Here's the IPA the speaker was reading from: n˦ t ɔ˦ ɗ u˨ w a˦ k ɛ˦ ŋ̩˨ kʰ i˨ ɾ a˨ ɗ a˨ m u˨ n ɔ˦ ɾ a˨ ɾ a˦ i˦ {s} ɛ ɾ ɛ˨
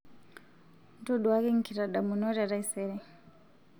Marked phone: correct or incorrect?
correct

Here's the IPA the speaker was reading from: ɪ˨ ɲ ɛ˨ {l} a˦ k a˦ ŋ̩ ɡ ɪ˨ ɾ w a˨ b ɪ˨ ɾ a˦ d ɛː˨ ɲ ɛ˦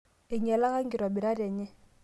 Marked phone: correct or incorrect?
correct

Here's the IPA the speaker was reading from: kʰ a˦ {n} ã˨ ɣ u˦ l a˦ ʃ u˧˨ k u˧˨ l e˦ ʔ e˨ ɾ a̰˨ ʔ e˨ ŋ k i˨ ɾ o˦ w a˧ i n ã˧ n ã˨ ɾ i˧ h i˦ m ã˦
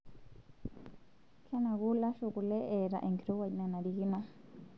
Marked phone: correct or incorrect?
correct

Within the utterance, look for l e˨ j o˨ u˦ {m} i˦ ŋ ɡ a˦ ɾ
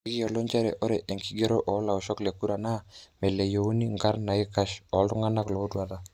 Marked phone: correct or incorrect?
incorrect: n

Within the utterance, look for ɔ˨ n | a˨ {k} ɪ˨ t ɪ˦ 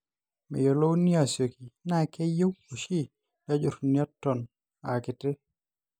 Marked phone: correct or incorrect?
correct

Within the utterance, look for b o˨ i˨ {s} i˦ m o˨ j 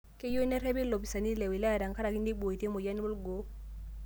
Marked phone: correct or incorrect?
incorrect: t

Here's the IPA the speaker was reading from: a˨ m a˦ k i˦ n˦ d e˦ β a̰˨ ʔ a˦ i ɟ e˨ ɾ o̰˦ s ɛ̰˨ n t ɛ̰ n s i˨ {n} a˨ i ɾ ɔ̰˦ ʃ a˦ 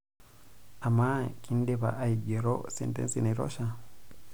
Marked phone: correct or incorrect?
correct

